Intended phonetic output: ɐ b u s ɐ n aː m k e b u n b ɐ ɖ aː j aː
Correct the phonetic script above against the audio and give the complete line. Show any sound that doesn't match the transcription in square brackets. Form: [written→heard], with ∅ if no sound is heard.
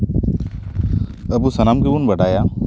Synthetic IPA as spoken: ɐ b u s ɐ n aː m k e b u n b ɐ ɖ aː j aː